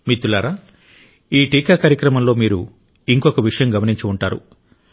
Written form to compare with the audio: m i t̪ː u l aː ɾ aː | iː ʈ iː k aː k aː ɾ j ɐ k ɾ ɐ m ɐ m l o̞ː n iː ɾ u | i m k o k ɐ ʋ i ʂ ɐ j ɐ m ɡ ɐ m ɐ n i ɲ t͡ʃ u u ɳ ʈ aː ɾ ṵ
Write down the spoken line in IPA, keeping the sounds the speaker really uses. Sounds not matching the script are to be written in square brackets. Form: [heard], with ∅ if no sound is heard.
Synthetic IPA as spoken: m i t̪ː u l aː ɾ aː | iː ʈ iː k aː k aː ɾ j ɐ k ɾ ɐ m ɐ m l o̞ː [m] iː ɾ u | i [ŋ] k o k ɐ ʋ i ʂ ɐ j ɐ m ɡ ɐ m ɐ n i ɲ t͡ʃ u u ɳ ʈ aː ɾ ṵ